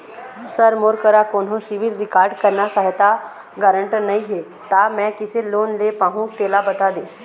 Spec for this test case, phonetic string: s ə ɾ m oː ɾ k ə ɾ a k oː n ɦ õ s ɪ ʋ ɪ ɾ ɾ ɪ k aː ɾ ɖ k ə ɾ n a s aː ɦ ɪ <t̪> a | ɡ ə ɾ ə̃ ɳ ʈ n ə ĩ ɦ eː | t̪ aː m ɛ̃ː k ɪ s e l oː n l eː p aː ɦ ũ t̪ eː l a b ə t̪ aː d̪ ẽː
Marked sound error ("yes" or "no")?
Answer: no